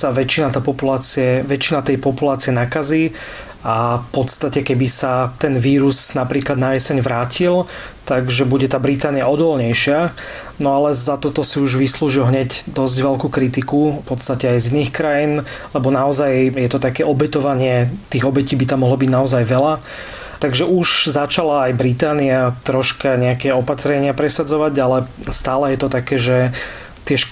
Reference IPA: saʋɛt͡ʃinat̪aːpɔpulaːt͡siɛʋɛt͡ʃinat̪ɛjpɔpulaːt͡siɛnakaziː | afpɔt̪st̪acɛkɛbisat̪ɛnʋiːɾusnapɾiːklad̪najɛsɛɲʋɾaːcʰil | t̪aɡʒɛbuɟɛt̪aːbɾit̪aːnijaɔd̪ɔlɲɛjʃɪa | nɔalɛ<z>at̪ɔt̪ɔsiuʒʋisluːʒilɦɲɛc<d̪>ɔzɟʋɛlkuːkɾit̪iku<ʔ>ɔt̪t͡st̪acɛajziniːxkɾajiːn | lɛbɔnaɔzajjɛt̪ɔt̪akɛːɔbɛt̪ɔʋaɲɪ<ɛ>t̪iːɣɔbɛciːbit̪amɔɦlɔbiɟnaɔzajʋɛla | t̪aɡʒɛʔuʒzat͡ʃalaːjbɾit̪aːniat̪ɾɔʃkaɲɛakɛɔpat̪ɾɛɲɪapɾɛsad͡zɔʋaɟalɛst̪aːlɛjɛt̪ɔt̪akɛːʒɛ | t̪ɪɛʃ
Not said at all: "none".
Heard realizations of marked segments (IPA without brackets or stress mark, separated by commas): z, d̪, p, ɛ